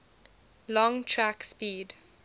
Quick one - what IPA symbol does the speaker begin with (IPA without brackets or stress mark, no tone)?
l